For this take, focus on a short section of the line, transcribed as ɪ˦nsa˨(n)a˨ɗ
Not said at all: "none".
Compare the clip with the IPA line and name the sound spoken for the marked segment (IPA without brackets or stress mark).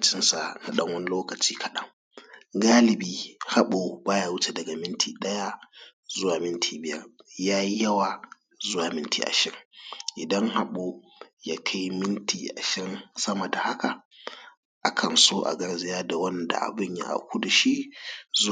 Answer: n